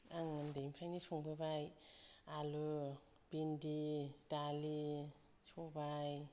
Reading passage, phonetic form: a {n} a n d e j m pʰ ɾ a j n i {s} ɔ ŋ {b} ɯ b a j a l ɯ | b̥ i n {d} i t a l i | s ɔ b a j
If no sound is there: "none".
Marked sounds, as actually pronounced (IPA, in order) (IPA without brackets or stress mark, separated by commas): ŋ, s, b, d